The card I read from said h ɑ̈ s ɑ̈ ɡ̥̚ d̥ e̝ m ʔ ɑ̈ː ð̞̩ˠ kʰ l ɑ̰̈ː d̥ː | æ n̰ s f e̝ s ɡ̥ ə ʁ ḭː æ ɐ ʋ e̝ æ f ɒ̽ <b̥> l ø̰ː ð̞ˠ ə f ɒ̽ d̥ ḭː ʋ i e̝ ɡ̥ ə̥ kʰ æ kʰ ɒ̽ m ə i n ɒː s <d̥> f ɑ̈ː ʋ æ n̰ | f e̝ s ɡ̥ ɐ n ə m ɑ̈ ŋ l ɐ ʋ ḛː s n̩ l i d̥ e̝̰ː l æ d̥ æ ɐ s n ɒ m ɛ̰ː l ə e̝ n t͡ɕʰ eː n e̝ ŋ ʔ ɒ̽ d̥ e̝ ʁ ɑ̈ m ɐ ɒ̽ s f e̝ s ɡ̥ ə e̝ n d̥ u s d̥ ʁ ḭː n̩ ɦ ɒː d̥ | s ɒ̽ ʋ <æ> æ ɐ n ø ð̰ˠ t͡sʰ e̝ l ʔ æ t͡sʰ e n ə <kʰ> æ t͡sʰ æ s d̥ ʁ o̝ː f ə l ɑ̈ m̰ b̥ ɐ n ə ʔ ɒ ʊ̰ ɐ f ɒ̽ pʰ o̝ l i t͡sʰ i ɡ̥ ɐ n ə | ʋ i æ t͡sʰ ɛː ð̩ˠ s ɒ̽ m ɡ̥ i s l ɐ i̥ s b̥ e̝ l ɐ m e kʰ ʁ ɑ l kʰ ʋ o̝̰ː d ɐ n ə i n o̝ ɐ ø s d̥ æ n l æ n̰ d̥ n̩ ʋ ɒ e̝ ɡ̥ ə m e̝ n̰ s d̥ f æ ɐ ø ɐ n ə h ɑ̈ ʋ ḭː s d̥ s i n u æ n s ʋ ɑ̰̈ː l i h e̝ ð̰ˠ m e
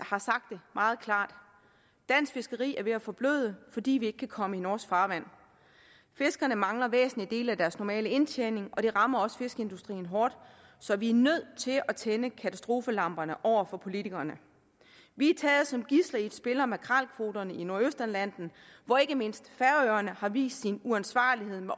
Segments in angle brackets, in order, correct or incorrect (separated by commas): correct, incorrect, incorrect, correct